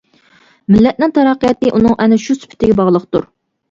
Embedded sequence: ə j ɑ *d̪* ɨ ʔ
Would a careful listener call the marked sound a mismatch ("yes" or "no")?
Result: yes